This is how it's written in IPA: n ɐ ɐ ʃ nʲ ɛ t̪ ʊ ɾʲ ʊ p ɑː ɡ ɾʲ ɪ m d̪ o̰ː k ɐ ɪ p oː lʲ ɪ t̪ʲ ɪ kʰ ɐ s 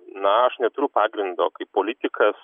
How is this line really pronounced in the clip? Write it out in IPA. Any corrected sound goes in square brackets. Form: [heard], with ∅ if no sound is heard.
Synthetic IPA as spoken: n ɐ ɐ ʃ nʲ ɛ t̪ ʊ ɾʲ ʊ p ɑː ɡ ɾʲ ɪ [n] d̪ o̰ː k ɐ ɪ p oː lʲ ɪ t̪ʲ ɪ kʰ ɐ s